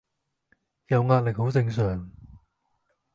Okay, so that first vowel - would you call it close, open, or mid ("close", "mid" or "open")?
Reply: open